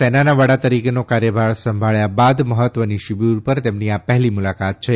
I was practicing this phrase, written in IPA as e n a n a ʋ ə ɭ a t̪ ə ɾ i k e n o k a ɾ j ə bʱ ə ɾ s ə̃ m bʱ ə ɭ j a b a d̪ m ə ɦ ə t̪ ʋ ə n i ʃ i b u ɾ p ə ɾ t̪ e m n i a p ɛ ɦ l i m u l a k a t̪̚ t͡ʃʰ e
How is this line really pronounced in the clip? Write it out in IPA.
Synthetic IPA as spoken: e n a n a ʋ ə ɽ a t̪ ə ɾ i k e n o k a ɾ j ə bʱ a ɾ s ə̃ m bʱ a ɭ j a b a d̪ m ə ɦ ə t̪ ʋ ə n i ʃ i b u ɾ p ə ɾ t̪ e m n i a p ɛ ɦ l i m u l a k a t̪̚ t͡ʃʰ e